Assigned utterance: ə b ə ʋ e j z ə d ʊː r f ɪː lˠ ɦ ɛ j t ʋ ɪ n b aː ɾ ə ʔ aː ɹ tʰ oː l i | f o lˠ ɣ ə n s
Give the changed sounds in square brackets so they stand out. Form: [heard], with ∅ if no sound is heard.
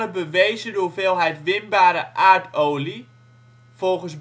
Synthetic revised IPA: ə b ə ʋ e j z ə d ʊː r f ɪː lˠ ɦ ɛ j t ʋ ɪ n b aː ɾ ə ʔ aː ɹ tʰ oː l i | f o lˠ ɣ ə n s